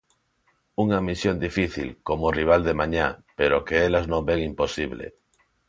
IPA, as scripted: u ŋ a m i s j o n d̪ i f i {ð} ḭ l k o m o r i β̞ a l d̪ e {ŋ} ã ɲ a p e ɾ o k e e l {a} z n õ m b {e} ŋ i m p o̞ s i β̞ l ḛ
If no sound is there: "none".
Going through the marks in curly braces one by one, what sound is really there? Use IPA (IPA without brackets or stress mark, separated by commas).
θ, m, a, e